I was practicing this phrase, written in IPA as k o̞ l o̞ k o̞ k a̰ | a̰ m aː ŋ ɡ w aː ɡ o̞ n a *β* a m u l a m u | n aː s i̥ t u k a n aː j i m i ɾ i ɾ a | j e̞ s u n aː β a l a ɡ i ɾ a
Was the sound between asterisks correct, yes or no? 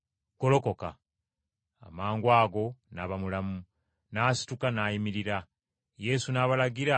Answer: yes